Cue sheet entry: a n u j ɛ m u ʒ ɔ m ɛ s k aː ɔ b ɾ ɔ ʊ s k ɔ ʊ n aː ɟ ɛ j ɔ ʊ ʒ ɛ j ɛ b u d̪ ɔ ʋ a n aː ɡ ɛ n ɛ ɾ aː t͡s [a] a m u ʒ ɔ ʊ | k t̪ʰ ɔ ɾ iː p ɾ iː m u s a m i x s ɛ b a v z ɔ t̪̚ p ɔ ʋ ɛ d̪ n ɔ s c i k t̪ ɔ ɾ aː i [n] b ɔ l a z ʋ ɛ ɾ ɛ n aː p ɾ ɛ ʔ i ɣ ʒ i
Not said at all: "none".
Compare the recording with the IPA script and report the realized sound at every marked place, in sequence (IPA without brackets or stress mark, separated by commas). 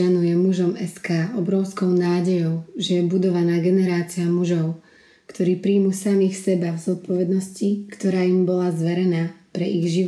i, m